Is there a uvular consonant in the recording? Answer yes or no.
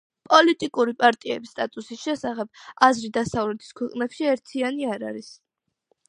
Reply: yes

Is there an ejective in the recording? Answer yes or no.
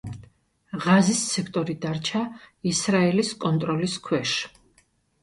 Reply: yes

